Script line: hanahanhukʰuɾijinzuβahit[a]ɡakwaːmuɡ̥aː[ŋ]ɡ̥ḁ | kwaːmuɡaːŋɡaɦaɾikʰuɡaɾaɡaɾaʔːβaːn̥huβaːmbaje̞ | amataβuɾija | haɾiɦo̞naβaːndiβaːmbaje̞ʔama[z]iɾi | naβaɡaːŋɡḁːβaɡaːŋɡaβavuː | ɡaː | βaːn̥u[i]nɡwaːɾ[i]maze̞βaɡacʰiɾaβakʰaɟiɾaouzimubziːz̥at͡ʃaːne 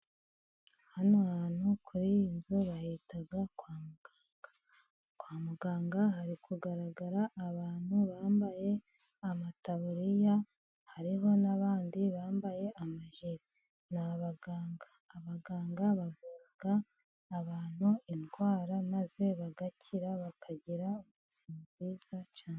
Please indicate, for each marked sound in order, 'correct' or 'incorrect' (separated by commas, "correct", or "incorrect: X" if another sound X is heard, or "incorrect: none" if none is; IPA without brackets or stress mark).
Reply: correct, correct, incorrect: ʒ, correct, incorrect: a